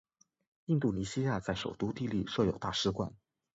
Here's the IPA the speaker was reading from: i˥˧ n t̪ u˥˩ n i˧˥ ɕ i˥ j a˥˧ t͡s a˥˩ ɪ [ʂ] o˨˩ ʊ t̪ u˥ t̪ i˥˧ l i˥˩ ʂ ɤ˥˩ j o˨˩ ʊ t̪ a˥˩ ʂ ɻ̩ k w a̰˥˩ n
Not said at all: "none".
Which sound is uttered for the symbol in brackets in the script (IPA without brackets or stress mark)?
ʂ